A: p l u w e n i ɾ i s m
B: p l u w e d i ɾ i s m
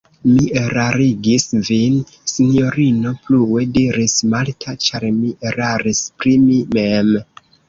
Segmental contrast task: B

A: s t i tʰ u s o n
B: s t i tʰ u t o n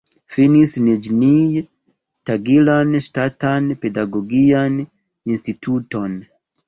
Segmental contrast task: B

